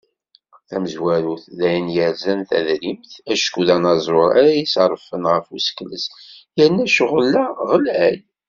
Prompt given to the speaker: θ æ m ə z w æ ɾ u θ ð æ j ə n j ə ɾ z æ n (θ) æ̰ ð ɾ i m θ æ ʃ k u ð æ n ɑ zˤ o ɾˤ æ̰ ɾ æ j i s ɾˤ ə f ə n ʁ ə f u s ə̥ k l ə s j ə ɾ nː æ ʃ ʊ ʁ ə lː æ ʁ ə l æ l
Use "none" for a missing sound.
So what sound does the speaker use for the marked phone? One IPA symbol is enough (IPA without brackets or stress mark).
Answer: θ